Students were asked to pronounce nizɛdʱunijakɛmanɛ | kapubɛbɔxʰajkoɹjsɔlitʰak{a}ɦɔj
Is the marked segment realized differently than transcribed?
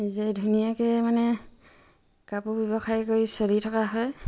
no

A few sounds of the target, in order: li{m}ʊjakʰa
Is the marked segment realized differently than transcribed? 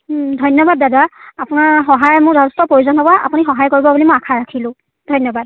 no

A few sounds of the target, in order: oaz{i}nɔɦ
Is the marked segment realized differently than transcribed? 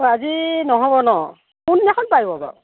no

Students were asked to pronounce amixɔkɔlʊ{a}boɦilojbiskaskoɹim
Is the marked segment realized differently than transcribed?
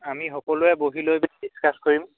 yes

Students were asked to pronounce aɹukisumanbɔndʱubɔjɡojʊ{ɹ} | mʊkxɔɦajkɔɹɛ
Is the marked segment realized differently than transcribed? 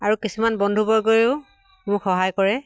yes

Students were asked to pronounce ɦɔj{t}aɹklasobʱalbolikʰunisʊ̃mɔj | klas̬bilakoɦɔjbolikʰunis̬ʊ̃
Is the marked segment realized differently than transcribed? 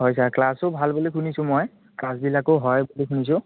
yes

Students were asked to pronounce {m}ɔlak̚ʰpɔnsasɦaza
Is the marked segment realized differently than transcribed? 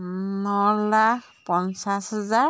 yes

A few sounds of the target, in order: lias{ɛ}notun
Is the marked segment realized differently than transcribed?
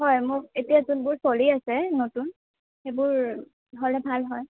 no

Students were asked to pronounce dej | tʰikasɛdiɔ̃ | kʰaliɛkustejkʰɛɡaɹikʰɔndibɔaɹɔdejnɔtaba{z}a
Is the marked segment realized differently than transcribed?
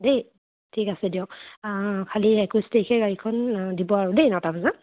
no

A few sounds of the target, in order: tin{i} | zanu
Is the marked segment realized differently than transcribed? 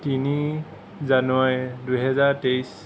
no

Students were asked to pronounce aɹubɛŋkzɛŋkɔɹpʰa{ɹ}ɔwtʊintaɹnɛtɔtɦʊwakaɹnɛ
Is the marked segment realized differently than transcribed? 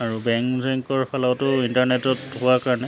yes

